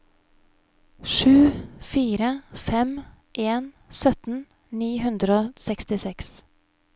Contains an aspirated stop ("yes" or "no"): no